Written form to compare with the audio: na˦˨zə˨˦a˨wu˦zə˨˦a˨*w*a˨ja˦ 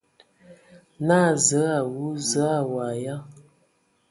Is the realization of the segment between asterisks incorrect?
no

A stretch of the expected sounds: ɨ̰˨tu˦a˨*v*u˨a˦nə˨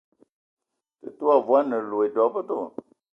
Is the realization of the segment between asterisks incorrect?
no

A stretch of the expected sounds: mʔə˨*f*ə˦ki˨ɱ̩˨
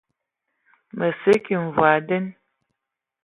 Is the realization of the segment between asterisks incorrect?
yes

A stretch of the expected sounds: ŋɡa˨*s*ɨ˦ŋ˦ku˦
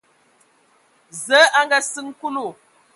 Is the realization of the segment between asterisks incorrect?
no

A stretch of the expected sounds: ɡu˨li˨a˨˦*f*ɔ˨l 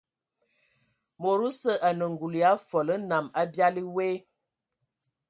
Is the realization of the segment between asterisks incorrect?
no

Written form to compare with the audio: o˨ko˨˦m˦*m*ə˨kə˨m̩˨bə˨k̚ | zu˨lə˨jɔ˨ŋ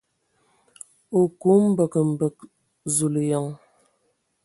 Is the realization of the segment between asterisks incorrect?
yes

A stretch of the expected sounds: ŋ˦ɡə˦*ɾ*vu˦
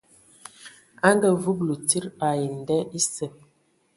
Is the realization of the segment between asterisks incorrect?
yes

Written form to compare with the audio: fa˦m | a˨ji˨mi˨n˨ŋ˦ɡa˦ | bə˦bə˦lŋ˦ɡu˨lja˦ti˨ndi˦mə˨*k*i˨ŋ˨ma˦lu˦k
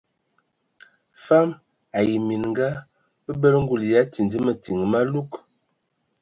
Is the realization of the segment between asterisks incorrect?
yes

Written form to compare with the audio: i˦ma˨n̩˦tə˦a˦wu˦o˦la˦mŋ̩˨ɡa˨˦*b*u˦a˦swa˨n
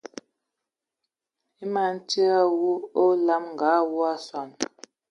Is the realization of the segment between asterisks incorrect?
yes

